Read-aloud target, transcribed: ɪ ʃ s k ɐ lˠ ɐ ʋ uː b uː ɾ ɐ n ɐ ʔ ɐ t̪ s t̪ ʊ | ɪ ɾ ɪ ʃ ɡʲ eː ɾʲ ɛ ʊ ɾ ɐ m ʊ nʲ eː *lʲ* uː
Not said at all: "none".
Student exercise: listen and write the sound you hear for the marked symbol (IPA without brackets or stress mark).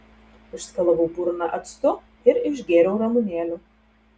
lʲ